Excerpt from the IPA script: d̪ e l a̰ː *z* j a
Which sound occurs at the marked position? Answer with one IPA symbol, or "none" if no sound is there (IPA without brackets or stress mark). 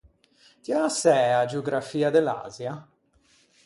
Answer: z